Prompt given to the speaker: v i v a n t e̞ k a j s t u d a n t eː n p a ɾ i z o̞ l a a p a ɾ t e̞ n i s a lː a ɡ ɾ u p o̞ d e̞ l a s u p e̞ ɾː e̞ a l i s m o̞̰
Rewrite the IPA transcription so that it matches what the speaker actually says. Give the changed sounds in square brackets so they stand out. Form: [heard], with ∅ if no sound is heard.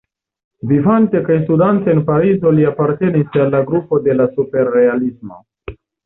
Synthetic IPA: v i v a n t e̞ k a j s t u d a n t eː n p a ɾ i z o̞ l [i] a p a ɾ t e̞ n i s a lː a ɡ ɾ u p o̞ d e̞ l a s u p e̞ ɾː e̞ a l i s m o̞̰